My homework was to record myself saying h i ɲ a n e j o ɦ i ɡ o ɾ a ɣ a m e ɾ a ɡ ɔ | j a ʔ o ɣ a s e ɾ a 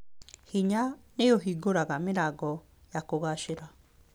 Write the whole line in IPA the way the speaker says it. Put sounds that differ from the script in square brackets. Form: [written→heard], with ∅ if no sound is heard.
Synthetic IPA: h i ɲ a n e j o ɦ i ɡ o ɾ a ɣ a m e ɾ a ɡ ɔ | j a [ʔ→k] o ɣ a [s→ʃ] e ɾ a